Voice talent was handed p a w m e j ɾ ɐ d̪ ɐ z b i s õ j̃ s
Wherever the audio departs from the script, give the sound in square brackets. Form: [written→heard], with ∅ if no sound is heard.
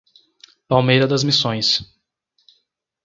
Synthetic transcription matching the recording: p a w m e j ɾ ɐ d̪ ɐ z [b→m] i s õ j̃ s